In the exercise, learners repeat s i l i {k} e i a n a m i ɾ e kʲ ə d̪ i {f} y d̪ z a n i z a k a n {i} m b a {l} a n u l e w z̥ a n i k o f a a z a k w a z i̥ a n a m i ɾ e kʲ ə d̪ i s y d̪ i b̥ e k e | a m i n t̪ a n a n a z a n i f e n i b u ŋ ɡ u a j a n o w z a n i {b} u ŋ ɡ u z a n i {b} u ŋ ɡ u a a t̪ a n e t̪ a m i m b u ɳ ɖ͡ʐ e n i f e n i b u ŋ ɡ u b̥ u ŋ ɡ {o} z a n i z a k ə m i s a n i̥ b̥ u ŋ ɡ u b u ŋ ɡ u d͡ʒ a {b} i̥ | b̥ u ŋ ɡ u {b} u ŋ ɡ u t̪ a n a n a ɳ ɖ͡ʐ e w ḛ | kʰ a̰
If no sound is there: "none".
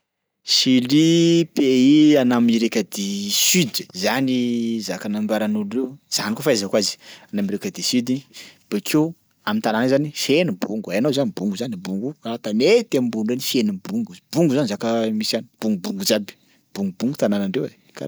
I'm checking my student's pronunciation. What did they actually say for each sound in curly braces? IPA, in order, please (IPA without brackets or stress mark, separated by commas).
p, s, a, ɾ, b, b, u, b, b